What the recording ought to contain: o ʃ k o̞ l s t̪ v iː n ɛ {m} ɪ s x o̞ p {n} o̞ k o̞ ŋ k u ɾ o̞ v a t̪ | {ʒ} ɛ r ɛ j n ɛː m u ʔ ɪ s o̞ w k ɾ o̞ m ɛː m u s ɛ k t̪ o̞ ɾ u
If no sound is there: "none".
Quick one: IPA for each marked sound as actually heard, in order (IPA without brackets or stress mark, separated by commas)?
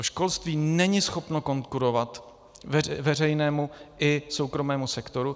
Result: ɲ, n, v